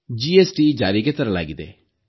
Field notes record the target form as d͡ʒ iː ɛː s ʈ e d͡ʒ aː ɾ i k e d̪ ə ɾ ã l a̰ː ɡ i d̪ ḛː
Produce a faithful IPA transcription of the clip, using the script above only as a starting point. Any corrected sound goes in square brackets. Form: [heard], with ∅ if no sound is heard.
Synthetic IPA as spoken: d͡ʒ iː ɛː s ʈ [i] d͡ʒ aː ɾ i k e [t̪] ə ɾ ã l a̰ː ɡ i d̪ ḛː

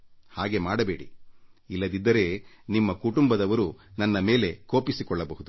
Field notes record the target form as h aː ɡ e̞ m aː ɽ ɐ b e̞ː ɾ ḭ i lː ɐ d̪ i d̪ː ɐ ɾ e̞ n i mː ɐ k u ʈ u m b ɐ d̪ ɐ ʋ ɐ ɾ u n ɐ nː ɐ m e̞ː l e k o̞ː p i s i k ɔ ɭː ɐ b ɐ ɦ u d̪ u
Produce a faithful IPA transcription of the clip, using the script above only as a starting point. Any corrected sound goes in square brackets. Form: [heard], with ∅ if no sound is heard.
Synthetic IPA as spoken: h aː ɡ e̞ m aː ɽ ɐ b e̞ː [ɽ] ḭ i lː ɐ d̪ i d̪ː ɐ ɾ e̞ n i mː ɐ k u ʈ u m b ɐ d̪ ɐ ʋ ɐ ɾ u n ɐ nː ɐ m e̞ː l e k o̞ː p i s i k ɔ ɭː ɐ b ɐ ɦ u d̪ u

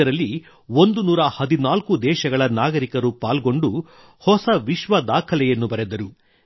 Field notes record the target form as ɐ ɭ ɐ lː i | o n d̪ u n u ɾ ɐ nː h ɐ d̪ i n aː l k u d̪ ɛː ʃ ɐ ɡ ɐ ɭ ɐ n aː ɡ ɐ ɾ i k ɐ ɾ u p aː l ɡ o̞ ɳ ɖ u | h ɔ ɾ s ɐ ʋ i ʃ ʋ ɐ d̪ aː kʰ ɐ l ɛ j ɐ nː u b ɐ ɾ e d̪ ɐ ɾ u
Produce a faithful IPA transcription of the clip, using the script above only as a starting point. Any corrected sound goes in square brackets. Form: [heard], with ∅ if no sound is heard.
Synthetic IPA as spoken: ɐ [ɾ] ɐ lː i | o n d̪ u n [uː] ɾ ɐ [∅] h ɐ d̪ i n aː l k u d̪ ɛː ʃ ɐ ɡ ɐ ɭ ɐ n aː ɡ ɐ ɾ i k ɐ ɾ u p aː l ɡ o̞ ɳ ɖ u | h ɔ [∅] s ɐ ʋ i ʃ ʋ ɐ d̪ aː kʰ ɐ l ɛ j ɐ nː u b ɐ ɾ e d̪ ɐ ɾ u

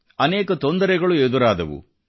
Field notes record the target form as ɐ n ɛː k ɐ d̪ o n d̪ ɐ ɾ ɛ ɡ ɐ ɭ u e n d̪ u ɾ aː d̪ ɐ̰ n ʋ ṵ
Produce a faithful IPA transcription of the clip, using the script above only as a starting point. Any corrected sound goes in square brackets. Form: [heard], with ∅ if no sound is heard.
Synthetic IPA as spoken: ɐ n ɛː k ɐ [t̪] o n d̪ ɐ ɾ ɛ ɡ ɐ ɭ u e [∅] d̪ u ɾ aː d̪ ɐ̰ [∅] ʋ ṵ

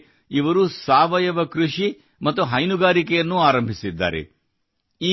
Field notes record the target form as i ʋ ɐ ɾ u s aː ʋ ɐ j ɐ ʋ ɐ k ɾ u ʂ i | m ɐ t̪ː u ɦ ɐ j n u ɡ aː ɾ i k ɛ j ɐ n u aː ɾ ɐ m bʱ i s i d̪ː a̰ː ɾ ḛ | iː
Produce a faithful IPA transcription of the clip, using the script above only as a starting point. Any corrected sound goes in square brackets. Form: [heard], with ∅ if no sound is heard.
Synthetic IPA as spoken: i ʋ ɐ ɾ u s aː ʋ ɐ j ɐ ʋ ɐ k ɾ u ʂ i | m ɐ t̪ː u ɦ ɐ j n u ɡ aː ɾ i k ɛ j ɐ [nː] u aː ɾ ɐ m bʱ i s i d̪ː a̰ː ɾ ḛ | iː

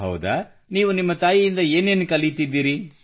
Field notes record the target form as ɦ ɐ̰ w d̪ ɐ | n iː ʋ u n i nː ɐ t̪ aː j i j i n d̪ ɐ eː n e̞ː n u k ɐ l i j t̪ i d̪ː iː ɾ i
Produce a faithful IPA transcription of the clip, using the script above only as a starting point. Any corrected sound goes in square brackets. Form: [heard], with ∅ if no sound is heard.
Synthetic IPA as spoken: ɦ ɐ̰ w d̪ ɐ | n iː ʋ u n i [mː] ɐ t̪ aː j i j i n d̪ ɐ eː n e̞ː n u k ɐ l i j t̪ i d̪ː iː ɾ i

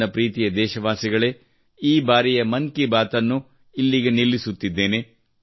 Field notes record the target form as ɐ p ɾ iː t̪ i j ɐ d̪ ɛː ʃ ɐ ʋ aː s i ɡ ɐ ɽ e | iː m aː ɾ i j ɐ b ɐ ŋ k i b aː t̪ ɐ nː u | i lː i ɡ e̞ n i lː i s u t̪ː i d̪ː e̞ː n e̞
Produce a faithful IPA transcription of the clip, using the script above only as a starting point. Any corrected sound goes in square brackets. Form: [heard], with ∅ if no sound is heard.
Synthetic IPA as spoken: ɐ p ɾ iː t̪ i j ɐ d̪ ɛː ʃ ɐ ʋ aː s i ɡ ɐ [ɭ] e | iː [b] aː ɾ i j ɐ [m] ɐ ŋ k i b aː t̪ ɐ nː u | i lː i ɡ e̞ n i lː i s u t̪ː i d̪ː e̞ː n e̞

